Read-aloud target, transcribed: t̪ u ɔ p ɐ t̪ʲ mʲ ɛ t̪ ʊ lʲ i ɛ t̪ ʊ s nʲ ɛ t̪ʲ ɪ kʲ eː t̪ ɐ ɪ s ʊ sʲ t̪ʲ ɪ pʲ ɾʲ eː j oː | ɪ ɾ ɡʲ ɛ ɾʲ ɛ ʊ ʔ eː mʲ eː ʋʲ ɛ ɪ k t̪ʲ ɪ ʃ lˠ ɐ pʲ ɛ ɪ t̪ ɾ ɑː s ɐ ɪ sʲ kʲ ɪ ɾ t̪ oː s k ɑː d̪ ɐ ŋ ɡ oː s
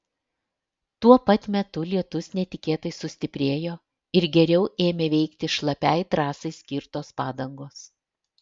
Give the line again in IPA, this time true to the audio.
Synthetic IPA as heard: t̪ u ɔ p ɐ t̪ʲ mʲ ɛ t̪ ʊ lʲ i ɛ t̪ ʊ s nʲ ɛ t̪ʲ ɪ kʲ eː t̪ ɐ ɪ s ʊ sʲ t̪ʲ ɪ pʲ ɾʲ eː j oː | ɪ ɾ ɡʲ ɛ ɾʲ ɛ ʊ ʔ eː mʲ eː ʋʲ ɛ ɪ k t̪ʲ ɪ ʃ lˠ ɐ pʲ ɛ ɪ t̪ ɾ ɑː s ɐ ɪ sʲ kʲ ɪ ɾ t̪ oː s p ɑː d̪ ɐ ŋ ɡ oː s

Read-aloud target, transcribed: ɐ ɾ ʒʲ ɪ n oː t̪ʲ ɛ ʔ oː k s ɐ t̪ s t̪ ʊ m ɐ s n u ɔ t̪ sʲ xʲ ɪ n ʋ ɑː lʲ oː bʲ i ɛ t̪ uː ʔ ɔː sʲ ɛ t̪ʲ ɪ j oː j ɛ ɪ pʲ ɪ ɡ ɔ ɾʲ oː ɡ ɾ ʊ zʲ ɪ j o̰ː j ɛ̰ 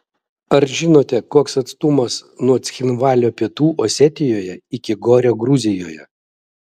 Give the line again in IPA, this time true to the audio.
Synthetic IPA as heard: ɐ ɾ ʒʲ ɪ n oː t̪ʲ ɛ k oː k s ɐ t̪ s t̪ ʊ m ɐ s n u ɔ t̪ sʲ xʲ ɪ n ʋ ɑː lʲ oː pʲ i ɛ t̪ uː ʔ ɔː sʲ ɛ t̪ʲ ɪ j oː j ɛ ɪ kʲ ɪ ɡ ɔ ɾʲ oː ɡ ɾ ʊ zʲ ɪ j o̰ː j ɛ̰

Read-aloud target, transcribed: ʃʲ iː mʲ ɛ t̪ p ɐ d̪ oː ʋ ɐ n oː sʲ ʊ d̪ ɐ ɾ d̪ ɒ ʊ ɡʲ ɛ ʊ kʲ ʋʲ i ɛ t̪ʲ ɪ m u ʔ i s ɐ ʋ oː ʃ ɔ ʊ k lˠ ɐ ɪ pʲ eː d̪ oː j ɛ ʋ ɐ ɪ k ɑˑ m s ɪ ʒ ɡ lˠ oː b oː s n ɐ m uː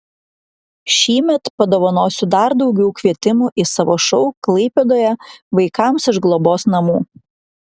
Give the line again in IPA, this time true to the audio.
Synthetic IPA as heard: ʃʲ iː mʲ ɛ t̪ p ɐ d̪ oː ʋ ɐ n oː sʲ ʊ d̪ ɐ ɾ d̪ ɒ ʊ ɡʲ ɛ ʊ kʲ ʋʲ i ɛ t̪ʲ ɪ m u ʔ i s ɐ ʋ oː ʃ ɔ ʊ k lˠ ɐ ɪ pʲ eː d̪ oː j ɛ ʋ ɐ ɪ k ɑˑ m s ɪ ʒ ɡ lˠ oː b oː s n ɐ m uː

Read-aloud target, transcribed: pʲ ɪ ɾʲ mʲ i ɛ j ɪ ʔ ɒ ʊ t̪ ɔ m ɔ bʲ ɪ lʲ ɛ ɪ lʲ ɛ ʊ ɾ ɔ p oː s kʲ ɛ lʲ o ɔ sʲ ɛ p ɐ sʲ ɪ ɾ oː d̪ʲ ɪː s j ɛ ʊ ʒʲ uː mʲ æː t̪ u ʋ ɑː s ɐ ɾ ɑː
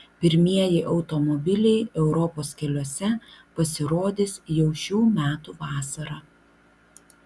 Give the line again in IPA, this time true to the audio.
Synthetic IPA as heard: pʲ ɪ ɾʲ mʲ i ɛ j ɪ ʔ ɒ ʊ t̪ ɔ m ɔ bʲ ɪ lʲ ɛ ɪ ɛ ʊ ɾ ɔ p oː s kʲ ɛ lʲ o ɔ sʲ ɛ p ɐ sʲ ɪ ɾ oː d̪ʲ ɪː s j ɛ ʊ ʃʲ uː mʲ æː t̪ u ʋ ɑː s ɐ ɾ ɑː

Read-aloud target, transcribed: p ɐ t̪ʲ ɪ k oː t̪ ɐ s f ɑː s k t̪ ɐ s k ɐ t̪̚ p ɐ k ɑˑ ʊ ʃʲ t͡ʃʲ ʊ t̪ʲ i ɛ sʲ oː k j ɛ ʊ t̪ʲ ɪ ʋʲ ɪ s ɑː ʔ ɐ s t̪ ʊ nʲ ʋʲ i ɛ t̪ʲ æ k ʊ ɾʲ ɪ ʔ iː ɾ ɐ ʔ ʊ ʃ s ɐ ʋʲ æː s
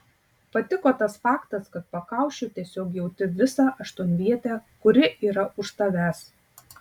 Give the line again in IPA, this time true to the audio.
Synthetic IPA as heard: p ɐ t̪ʲ ɪ k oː t̪ ɐ s f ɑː k t̪ ɐ s k ɐ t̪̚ p ɐ k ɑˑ ʊ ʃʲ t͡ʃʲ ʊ t̪ʲ i ɛ sʲ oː k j ɛ ʊ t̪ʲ ɪ ʋʲ ɪ s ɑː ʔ ɐ ʃ t̪ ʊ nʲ ʋʲ i ɛ t̪ʲ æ k ʊ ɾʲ ɪ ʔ iː ɾ ɐ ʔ ʊ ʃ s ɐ ʋʲ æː s

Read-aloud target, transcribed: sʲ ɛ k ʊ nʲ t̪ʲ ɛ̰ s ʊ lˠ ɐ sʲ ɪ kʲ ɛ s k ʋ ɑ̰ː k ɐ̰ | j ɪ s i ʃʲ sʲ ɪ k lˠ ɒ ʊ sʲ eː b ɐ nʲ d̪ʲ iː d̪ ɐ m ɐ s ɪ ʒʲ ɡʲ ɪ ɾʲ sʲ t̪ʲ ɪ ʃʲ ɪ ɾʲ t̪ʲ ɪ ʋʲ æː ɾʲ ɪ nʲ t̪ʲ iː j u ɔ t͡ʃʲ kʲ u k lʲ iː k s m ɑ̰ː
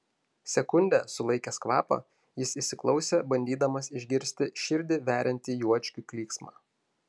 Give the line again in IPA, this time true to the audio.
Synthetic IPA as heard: sʲ ɛ k ʊ nʲ d̪ʲ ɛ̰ s ʊ lˠ ɐ ɪ kʲ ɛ s k ʋ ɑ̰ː p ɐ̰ | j ɪ s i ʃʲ sʲ ɪ k lˠ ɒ ʊ sʲ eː b ɐ nʲ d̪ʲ iː d̪ ɐ m ɐ s ɪ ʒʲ ɡʲ ɪ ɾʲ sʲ t̪ʲ ɪ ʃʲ ɪ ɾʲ d̪ʲ ɪ ʋʲ æː ɾʲ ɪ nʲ t̪ʲ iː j u ɔ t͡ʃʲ kʲ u k lʲ iː k s m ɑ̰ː

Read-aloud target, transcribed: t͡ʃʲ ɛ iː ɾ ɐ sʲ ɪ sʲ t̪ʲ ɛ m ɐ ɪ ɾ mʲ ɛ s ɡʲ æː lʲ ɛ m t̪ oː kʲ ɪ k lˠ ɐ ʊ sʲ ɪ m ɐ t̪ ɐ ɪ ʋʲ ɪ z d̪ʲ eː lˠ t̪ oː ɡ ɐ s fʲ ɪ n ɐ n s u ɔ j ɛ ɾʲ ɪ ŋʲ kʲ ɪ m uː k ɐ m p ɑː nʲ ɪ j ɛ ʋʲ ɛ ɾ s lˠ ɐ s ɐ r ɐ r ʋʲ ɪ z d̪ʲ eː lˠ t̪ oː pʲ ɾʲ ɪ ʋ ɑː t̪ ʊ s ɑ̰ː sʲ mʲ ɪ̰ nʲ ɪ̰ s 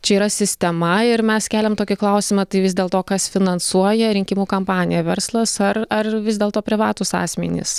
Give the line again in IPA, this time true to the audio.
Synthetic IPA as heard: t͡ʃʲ ɛ iː ɾ ɐ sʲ ɪ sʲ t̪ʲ ɛ m ɐ ɪ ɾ mʲ ɛ s kʲ æː lʲ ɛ m t̪ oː kʲ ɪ k lˠ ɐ ʊ sʲ ɪ m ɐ t̪ ɐ ɪ ʋʲ ɪ z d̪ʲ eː lˠ t̪ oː k ɐ s fʲ ɪ n ɐ n s u ɔ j ɛ ɾʲ ɪ ŋʲ kʲ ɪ m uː k ɐ m p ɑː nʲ ɪ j ɛ ʋʲ ɛ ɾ s lˠ ɐ s ɐ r ɐ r ʋʲ ɪ z d̪ʲ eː lˠ t̪ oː pʲ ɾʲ ɪ ʋ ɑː t̪ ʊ s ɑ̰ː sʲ mʲ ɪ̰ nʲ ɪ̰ s

